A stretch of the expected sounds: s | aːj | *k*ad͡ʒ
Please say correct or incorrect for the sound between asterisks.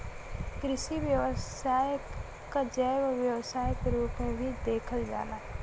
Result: correct